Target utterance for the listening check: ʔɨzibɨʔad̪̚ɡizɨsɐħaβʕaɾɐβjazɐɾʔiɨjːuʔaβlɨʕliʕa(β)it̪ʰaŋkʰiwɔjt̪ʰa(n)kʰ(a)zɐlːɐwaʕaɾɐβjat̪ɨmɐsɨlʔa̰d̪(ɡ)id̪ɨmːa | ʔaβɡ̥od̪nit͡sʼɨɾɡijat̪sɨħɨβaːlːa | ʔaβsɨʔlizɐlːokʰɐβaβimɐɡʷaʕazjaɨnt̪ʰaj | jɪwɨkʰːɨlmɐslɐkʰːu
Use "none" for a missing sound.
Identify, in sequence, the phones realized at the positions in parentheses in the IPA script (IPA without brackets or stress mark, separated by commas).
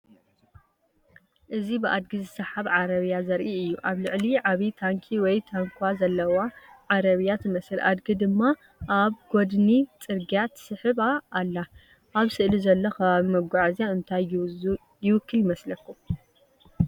β, ŋ, a, ɡ